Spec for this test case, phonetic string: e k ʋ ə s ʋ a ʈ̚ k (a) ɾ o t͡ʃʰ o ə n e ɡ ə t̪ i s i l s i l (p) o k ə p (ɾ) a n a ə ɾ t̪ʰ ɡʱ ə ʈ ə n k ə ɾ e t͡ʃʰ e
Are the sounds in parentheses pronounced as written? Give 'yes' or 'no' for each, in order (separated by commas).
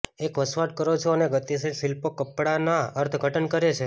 no, yes, no